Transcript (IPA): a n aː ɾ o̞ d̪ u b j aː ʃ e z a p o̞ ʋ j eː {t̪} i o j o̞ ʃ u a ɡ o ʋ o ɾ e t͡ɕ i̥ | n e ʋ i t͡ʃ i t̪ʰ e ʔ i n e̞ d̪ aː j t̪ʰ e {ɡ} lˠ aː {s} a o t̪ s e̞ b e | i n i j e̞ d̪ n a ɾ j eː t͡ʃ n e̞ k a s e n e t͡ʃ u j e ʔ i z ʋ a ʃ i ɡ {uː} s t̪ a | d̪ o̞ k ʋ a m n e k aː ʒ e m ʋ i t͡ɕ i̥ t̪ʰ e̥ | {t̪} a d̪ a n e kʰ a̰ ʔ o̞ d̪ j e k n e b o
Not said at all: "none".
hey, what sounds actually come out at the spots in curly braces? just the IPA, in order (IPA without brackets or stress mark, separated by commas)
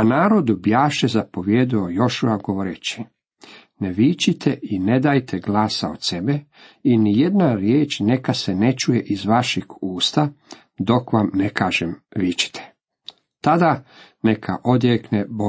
d̪, ɡ, s, uː, t̪